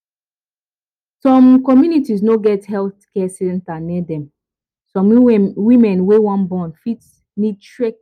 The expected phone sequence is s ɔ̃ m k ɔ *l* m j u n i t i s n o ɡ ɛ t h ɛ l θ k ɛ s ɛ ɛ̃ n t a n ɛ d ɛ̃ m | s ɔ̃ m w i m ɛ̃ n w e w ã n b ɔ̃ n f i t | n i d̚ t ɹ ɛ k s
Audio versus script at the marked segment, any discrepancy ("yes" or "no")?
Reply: yes